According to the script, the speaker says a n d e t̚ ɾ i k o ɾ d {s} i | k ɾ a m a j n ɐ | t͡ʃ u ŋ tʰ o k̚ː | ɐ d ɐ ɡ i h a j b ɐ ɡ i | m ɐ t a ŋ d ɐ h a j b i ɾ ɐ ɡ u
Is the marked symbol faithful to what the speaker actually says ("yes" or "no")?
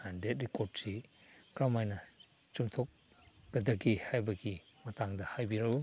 yes